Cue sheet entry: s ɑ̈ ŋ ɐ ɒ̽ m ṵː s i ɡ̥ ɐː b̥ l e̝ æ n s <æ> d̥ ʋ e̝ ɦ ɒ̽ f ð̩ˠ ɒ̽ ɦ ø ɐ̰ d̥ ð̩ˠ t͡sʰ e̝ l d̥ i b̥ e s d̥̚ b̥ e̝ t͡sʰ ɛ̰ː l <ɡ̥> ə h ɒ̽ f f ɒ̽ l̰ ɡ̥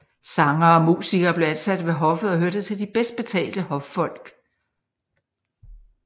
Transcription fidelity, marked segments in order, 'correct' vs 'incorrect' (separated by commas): correct, incorrect